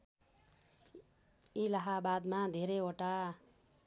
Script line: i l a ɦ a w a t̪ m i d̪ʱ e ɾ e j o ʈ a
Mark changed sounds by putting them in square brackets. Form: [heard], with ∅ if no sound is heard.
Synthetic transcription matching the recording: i l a ɦ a [b] a [d̪] m [a] d̪ʱ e ɾ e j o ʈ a